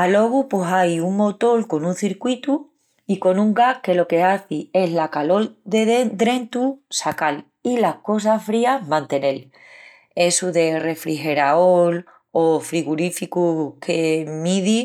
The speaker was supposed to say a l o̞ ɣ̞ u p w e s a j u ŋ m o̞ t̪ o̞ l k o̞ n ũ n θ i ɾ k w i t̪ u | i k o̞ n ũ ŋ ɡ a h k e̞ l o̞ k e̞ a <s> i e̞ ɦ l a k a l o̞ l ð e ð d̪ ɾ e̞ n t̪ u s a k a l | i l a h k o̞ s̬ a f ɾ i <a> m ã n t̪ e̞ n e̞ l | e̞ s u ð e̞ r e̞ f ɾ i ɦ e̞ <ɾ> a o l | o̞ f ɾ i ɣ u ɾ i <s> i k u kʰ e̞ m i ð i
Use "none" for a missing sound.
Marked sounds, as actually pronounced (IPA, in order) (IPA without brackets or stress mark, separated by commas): θ, a, ɾ, f